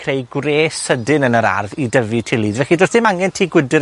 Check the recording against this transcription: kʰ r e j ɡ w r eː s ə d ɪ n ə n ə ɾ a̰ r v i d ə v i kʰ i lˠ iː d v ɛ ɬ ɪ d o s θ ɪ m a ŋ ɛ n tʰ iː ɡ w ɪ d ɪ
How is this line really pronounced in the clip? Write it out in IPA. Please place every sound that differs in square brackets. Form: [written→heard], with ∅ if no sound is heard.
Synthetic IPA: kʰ r e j ɡ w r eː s ə d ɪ n ə n ə ɾ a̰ r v i d ə v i [kʰ→tʰ] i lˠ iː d v ɛ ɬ [ɪ→i] d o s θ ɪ m a ŋ ɛ n tʰ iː ɡ w ɪ d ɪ